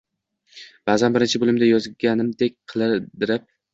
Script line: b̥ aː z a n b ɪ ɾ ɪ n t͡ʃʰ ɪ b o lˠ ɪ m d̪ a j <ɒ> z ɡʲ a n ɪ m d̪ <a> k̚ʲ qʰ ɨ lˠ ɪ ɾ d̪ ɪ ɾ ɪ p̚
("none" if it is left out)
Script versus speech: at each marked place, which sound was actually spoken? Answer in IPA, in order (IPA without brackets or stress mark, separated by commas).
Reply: ɒ, e